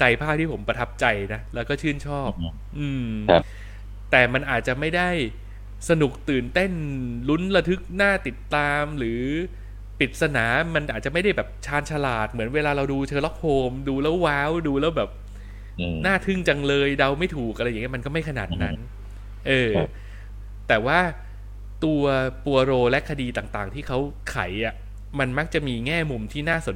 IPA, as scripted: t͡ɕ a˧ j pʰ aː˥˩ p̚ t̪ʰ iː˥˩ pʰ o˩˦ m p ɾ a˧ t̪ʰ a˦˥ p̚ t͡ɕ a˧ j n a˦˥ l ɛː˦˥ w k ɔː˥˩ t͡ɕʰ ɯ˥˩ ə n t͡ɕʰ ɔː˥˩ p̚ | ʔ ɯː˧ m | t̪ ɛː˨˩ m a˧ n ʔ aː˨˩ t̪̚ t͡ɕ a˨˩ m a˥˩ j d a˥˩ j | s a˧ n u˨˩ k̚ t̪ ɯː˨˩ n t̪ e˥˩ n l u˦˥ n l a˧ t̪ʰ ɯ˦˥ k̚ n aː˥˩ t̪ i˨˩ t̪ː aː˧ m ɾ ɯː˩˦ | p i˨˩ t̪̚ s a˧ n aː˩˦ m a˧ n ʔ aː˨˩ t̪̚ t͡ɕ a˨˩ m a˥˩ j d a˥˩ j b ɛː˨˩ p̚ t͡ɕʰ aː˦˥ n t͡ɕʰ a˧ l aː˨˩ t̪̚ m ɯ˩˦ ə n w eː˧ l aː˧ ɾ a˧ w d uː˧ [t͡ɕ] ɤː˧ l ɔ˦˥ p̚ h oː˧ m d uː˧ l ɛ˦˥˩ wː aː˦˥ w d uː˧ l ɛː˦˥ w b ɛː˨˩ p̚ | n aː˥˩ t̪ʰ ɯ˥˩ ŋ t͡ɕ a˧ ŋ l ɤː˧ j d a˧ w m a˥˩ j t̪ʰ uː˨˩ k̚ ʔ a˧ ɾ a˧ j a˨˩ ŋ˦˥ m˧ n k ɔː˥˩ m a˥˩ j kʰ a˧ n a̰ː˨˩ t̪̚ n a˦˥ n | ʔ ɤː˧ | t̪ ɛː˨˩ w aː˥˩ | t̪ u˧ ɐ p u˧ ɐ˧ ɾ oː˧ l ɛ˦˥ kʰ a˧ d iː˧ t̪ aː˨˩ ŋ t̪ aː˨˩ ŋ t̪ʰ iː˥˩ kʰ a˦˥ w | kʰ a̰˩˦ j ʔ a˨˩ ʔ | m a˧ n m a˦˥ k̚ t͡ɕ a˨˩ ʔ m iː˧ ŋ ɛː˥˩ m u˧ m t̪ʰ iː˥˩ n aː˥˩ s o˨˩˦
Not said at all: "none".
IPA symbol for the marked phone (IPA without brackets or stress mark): t͡ɕʰ